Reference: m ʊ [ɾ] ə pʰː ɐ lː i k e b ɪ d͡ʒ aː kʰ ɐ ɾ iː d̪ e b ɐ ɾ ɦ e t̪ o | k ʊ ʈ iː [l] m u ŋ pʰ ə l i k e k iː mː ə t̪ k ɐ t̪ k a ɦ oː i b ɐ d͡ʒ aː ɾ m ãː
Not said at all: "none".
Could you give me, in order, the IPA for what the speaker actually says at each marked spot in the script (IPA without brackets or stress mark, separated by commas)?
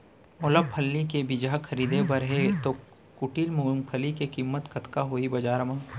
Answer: l, l